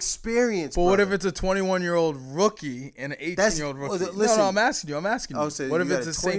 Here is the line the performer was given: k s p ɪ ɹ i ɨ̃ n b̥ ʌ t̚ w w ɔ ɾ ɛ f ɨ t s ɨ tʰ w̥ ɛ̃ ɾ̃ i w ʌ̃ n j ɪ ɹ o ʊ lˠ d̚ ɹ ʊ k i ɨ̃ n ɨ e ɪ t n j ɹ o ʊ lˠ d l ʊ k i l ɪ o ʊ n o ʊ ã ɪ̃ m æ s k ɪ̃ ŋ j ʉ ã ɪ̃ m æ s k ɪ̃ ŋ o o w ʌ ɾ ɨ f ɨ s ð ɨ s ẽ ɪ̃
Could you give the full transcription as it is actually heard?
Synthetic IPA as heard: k s p ɪ ɹ i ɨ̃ n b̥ ʌ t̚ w w ʌ ɾ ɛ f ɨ t s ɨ tʰ w̥ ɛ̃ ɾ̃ i w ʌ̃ n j ɪ ɹ o ʊ lˠ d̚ ɹ ʊ k i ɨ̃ n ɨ e ɪ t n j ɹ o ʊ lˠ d ɹ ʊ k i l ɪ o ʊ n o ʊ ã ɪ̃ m æ s k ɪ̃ ŋ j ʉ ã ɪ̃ m æ s k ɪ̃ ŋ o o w ʌ ɾ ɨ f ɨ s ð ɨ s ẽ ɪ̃